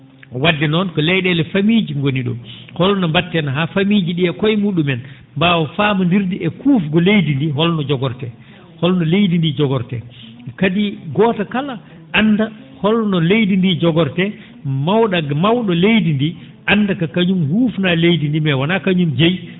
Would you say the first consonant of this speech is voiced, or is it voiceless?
voiced